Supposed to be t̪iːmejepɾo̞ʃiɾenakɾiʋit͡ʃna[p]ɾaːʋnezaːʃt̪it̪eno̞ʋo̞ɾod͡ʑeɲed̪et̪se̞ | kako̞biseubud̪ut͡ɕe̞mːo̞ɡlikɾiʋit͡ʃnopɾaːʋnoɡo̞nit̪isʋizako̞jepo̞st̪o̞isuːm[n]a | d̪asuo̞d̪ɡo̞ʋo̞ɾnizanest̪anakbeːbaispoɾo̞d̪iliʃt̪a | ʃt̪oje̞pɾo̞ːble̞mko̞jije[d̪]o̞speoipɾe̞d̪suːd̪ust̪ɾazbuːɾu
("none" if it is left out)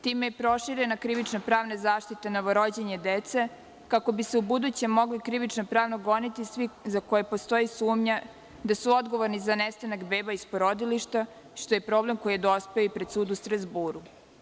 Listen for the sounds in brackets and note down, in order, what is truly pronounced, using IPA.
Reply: p, ɲ, d̪

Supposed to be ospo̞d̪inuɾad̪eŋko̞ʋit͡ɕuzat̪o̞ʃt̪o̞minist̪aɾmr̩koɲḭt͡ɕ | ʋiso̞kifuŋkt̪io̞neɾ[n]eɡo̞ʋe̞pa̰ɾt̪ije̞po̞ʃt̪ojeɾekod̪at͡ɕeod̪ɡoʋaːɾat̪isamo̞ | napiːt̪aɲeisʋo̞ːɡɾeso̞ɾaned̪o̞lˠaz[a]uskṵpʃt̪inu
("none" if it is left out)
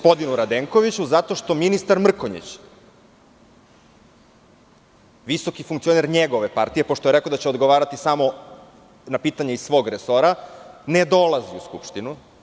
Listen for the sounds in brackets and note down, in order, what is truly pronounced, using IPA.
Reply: ɲ, i

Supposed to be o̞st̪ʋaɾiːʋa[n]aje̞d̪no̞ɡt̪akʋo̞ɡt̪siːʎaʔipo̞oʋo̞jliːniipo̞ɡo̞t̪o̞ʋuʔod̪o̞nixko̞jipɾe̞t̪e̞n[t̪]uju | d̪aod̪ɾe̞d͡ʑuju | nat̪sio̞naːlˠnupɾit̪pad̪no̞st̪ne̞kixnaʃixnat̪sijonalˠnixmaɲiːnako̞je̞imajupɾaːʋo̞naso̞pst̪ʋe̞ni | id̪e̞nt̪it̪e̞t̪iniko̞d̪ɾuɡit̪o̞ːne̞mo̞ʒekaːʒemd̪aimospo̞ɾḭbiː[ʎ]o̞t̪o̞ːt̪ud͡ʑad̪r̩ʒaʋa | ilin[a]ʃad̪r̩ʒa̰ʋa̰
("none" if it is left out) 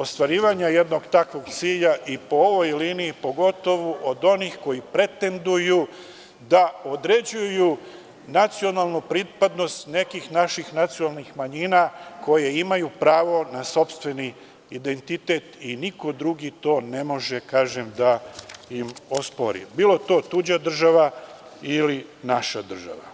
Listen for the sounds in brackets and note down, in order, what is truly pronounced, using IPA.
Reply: ɲ, d̪, l, a

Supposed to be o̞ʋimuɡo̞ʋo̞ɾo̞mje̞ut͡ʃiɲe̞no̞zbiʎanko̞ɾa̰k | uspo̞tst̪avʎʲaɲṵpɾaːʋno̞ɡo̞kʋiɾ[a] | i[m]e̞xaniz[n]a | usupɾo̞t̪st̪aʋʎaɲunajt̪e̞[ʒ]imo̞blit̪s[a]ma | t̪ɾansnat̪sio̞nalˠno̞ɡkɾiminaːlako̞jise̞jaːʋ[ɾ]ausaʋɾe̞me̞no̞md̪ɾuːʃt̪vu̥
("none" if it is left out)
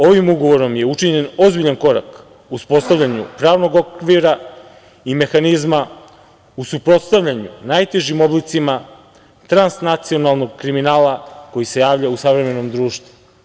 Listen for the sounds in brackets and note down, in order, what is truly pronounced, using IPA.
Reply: a, m, m, ʒ, i, ʎ

